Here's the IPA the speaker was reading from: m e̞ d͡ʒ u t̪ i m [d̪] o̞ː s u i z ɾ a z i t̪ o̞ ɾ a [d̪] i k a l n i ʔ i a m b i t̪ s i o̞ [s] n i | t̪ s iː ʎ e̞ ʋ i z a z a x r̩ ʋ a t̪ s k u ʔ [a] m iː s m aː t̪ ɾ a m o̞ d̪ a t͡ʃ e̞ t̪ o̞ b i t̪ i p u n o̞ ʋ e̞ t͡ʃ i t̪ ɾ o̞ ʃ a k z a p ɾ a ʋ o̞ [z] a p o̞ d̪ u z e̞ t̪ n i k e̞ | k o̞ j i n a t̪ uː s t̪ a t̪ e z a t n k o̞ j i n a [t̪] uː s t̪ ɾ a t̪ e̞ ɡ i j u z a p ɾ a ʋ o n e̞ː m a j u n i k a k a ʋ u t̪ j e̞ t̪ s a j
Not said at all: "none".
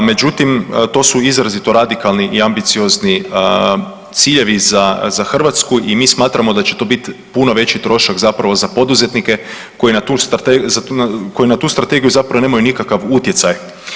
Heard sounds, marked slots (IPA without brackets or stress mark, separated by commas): t̪, d̪, z, i, z, t̪